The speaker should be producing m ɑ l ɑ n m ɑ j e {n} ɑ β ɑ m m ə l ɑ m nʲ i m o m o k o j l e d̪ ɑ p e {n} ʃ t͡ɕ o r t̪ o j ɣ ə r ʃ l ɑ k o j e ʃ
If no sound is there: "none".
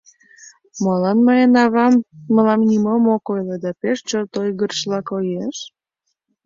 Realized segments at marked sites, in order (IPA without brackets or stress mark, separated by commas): n, none